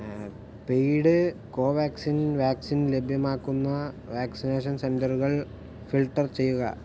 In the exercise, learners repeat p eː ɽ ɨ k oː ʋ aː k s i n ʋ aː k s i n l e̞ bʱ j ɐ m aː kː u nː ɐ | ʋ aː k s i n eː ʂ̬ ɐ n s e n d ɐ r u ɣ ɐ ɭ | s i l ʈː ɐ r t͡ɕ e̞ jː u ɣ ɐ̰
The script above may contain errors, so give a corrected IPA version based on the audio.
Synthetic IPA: p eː ɽ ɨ k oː ʋ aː k s i n ʋ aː k s i n l e̞ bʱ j ɐ m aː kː u nː ɐ | ʋ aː k s i n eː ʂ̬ ɐ n s e n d ɐ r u ɣ ɐ ɭ | f i l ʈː ɐ r t͡ɕ e̞ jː u ɣ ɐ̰

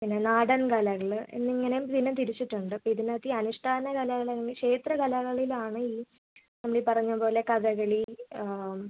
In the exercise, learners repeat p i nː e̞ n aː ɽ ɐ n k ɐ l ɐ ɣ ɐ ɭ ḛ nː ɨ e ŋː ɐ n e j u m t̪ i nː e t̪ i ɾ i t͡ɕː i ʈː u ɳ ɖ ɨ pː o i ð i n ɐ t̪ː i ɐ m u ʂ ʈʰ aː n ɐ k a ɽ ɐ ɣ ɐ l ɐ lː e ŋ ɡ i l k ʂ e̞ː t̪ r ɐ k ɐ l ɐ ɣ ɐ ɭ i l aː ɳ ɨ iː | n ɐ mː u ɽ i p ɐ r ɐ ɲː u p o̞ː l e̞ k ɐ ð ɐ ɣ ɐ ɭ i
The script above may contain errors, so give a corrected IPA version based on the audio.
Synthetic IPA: p i nː e̞ n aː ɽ ɐ n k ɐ l ɐ ɣ ɐ ɭ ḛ nː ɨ i ŋː ɐ n e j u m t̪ i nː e t̪ i ɾ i t͡ɕː i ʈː u ɳ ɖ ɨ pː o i ð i n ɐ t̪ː i ɐ n u ʂ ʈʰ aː n ɐ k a l ɐ ɣ ɐ ɭ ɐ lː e ŋ ɡ i l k ʂ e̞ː t̪ r ɐ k ɐ l ɐ ɣ ɐ ɭ i l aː ɳ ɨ iː | n ɐ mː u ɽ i p ɐ r ɐ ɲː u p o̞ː l e̞ k ɐ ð ɐ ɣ ɐ ɭ i

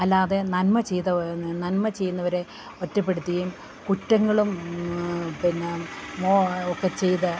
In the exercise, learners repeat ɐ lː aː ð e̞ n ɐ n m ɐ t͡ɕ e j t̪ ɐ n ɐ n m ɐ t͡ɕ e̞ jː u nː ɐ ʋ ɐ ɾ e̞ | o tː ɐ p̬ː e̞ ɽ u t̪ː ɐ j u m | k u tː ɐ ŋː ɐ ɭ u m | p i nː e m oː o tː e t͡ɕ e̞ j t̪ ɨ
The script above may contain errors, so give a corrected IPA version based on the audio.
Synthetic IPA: ɐ lː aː ð e̞ n ɐ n m ɐ t͡ɕ e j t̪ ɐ n ɐ n m ɐ t͡ɕ e̞ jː u nː ɐ ʋ ɐ ɾ e̞ | o tː ɐ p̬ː e̞ ɽ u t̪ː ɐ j u m | k u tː ɐ ŋː ɐ ɭ u m | p i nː e m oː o kː e t͡ɕ e̞ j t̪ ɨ

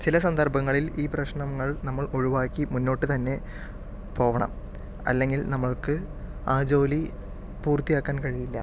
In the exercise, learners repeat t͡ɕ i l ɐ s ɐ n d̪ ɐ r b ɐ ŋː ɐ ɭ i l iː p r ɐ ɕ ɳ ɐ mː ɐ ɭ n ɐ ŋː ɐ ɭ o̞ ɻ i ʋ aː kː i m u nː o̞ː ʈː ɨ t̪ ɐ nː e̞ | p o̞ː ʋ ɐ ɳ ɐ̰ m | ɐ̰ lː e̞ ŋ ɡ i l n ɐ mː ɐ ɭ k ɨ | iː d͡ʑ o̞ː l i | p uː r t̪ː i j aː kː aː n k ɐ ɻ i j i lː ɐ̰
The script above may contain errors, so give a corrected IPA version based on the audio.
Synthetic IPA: t͡ɕ i l ɐ s ɐ n d̪ ɐ r b ɐ ŋː ɐ ɭ i l iː p r ɐ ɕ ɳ ɐ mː ɐ ɭ n ɐ mː ɐ ɭ o̞ ɻ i ʋ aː kː i m u nː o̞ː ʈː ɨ t̪ ɐ nː e̞ | p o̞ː ʋ ɐ ɳ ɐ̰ m | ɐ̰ lː e̞ ŋ ɡ i l n ɐ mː ɐ ɭ k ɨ | aː d͡ʑ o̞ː l i | p uː r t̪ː i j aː kː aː n k ɐ ɻ i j i lː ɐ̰

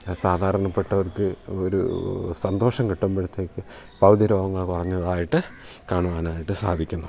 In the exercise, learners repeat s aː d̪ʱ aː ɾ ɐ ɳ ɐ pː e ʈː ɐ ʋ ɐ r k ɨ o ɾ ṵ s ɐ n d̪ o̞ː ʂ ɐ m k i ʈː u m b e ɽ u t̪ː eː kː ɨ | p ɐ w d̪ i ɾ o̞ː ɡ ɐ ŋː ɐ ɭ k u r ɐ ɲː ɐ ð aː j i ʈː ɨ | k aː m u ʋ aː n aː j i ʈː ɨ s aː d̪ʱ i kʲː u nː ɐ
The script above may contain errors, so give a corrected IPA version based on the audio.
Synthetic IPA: s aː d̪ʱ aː ɾ ɐ ɳ ɐ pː e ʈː ɐ ʋ ɐ r k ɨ o ɾ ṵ s ɐ n d̪ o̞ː ʂ ɐ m k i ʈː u m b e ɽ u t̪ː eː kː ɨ | p ɐ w d̪ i ɾ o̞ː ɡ ɐ ŋː ɐ ɭ k u r ɐ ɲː ɐ ð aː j i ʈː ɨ | k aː ɳ u ʋ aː n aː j i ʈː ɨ s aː d̪ʱ i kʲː u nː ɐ

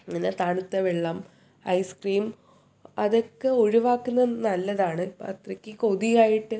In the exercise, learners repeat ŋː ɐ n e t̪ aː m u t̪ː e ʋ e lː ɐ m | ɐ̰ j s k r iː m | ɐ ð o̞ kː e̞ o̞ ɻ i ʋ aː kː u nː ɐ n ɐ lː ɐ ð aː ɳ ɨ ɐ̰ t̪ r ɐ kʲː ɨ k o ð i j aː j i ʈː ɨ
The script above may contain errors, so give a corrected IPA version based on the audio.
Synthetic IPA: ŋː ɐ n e t̪ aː ɳ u t̪ː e ʋ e ɭː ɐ m | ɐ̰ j s k r iː m | ɐ ð o̞ kː e̞ o̞ ɻ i ʋ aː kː u nː ɐ n ɐ lː ɐ ð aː ɳ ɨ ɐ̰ t̪ r ɐ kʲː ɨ k o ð i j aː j i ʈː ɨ

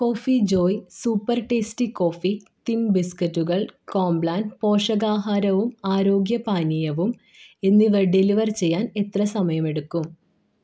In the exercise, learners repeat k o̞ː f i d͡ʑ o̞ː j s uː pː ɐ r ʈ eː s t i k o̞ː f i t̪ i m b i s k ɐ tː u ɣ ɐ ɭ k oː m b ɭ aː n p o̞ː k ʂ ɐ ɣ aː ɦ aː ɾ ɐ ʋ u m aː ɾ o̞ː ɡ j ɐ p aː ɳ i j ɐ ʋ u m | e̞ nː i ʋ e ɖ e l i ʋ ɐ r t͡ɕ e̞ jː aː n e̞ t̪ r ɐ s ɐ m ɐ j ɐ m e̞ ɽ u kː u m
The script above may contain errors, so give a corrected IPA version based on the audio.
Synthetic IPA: k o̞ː f i d͡ʑ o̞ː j s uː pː ɐ r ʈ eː s t i k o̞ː f i t̪ i m b i s k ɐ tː u ɣ ɐ ɭ k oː m b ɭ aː n p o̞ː ʂ ɐ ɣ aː ɦ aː ɾ ɐ ʋ u m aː ɾ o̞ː ɡ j ɐ p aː n i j ɐ ʋ u m | e̞ nː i ʋ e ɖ e l i ʋ ɐ r t͡ɕ e̞ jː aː n e̞ t̪ r ɐ s ɐ m ɐ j ɐ m e̞ ɽ u kː u m

